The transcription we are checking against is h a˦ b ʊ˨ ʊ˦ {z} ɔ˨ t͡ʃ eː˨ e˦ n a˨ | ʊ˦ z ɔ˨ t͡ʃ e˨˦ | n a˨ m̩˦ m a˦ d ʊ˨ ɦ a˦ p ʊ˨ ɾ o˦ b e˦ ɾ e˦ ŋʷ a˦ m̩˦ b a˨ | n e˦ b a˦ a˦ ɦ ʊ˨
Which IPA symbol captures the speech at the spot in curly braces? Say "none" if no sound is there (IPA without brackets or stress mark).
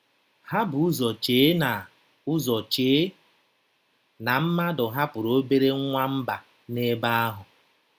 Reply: z